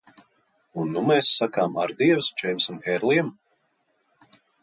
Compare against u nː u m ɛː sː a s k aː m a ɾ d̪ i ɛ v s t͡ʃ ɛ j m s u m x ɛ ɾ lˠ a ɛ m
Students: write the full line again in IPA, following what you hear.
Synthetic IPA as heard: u nː u m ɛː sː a k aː m a ɾ d̪ i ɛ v s t͡ʃ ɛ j m s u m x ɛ ɾ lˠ i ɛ m